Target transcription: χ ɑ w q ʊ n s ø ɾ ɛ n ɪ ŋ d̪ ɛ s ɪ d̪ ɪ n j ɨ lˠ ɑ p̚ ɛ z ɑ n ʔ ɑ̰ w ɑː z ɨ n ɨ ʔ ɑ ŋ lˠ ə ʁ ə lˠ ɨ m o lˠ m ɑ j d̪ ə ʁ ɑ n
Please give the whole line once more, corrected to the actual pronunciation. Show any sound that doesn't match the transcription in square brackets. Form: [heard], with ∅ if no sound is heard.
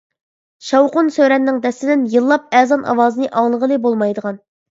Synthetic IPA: [ʃ] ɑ w q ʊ n s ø ɾ ɛ [nː] ɪ ŋ d̪ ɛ s ɪ d̪ ɪ n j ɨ [lˠː] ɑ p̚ ɛ z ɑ n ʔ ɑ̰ w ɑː z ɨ n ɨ ʔ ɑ ŋ lˠ ə ʁ ə lˠ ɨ [b] o lˠ m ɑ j d̪ ə ʁ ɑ n